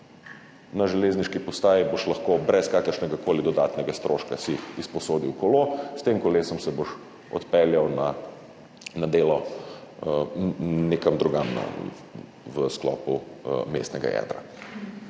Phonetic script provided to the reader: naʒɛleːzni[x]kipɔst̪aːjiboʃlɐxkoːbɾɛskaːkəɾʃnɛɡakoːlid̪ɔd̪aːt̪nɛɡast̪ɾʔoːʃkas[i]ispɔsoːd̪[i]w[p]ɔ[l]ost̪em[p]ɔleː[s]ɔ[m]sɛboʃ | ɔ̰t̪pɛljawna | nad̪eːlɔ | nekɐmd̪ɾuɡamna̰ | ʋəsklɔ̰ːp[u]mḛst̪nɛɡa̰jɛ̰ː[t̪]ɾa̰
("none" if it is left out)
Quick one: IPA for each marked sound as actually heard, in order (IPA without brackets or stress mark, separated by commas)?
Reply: ʃ, i, i, k, l, k, s, m, u, d̪